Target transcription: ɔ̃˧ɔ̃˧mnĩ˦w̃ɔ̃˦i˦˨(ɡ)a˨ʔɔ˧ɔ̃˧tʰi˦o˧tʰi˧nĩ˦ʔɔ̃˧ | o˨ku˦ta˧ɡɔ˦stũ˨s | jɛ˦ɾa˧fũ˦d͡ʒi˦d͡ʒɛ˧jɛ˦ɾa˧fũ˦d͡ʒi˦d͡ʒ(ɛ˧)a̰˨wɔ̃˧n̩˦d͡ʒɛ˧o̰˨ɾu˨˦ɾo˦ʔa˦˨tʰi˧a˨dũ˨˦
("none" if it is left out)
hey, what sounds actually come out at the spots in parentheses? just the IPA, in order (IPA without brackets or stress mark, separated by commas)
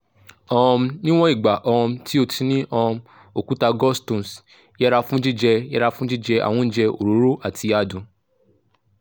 ɡ͡b, ɛ˧